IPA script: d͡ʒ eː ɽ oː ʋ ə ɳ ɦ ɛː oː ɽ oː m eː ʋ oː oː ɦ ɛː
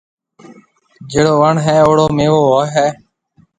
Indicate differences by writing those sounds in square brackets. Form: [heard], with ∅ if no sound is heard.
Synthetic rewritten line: d͡ʒ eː ɽ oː ʋ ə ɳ ɦ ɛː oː ɽ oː m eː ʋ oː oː ɦ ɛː